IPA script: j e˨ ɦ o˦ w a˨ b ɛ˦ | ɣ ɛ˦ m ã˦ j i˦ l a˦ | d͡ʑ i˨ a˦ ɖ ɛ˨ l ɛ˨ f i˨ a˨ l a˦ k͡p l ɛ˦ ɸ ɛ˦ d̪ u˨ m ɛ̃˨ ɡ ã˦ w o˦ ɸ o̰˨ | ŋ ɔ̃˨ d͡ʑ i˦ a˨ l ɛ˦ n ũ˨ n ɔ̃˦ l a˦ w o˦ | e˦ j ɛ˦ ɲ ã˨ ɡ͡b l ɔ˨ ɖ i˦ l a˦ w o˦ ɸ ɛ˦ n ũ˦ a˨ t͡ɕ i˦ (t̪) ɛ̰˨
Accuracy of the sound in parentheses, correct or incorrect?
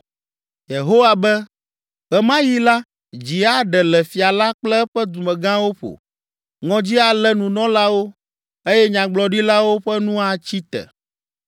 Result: correct